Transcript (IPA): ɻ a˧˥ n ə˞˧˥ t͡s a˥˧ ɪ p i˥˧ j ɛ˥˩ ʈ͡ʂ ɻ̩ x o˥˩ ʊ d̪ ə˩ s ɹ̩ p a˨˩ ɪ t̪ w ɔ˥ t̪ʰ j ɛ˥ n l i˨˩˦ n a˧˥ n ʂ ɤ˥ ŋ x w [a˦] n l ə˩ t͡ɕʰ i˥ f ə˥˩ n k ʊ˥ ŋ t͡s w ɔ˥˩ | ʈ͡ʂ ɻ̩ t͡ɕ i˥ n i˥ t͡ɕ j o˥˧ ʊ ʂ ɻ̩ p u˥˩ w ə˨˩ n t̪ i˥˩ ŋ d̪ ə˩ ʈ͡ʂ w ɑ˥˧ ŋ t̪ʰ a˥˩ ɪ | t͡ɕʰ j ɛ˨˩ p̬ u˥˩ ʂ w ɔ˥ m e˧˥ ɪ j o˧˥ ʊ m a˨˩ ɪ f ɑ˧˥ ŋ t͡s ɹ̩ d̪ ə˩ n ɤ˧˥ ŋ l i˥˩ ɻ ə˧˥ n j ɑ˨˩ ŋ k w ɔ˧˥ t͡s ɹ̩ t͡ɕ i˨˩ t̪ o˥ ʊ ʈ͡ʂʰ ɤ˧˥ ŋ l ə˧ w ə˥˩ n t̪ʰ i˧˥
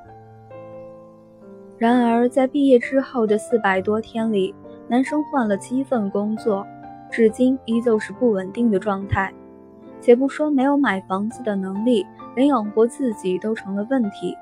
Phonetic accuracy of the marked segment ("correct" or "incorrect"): incorrect